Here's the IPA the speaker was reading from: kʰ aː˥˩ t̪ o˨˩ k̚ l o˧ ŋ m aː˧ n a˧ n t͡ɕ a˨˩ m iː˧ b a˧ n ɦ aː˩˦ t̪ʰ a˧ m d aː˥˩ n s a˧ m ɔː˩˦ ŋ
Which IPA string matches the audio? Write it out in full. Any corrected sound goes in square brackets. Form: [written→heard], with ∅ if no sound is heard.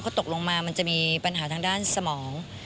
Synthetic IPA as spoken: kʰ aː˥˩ t̪ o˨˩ k̚ l o˧ ŋ m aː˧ [n→m] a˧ n t͡ɕ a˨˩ m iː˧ [b→p] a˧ n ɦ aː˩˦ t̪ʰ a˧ [m→ŋ] d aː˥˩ n s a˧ m ɔː˩˦ ŋ